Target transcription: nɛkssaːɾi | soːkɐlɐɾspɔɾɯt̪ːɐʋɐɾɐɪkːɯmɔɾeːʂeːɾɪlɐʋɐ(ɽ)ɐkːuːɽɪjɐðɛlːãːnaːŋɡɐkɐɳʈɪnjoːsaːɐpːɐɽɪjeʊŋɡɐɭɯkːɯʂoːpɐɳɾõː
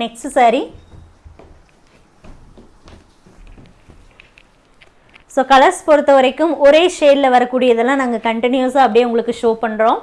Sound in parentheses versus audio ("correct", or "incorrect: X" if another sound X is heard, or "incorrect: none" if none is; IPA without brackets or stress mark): incorrect: ɾ